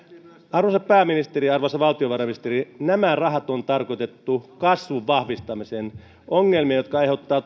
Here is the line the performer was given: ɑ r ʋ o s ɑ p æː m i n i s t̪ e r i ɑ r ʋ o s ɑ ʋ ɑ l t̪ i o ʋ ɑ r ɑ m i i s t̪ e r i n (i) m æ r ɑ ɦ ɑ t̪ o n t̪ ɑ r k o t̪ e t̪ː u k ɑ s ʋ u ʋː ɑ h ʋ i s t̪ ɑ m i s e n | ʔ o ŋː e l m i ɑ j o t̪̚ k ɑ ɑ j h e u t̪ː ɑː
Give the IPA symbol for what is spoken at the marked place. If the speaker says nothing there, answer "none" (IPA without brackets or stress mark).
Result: æ